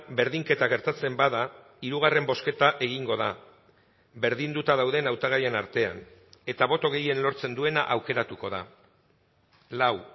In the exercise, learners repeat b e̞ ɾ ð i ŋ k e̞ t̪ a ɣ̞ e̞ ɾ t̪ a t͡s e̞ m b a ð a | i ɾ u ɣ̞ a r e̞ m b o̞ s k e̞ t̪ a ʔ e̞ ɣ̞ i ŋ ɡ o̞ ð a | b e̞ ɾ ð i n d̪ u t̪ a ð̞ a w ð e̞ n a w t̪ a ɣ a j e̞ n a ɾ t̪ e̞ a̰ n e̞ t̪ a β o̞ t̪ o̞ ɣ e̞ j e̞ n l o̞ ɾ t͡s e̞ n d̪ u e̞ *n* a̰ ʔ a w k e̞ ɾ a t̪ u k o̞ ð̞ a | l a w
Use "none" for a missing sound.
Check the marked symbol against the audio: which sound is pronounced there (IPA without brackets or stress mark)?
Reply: n